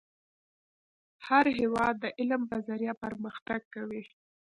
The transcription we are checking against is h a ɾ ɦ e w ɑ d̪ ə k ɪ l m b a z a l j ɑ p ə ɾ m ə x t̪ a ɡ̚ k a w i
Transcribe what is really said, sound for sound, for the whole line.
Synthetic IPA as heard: h a ɾ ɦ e w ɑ d̪ː ə ʔ ɪ l m b a z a ɾ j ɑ p ə ɾ m ə x t̪ a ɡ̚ k a w i